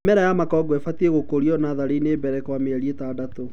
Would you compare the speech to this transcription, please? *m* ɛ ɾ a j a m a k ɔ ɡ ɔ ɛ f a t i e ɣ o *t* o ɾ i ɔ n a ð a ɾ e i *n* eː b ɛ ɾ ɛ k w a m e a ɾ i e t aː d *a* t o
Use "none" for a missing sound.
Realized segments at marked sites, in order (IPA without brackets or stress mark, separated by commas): m, k, n, a